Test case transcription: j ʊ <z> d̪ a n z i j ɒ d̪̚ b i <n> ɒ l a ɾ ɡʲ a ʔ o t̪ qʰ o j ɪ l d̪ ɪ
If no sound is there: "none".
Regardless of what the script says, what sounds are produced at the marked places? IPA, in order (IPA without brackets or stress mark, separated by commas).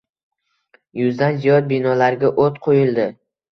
z, n